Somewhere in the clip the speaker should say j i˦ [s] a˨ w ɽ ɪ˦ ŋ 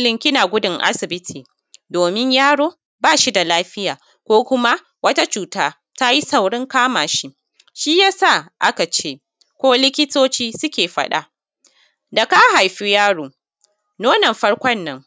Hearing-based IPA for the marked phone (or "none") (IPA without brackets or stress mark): s